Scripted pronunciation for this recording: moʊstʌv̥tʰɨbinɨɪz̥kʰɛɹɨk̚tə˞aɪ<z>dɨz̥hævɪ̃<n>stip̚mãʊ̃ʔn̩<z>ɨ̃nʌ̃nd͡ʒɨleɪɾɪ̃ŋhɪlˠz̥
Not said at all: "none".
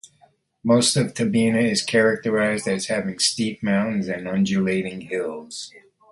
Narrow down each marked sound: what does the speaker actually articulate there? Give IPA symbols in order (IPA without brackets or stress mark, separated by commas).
z, ŋ, z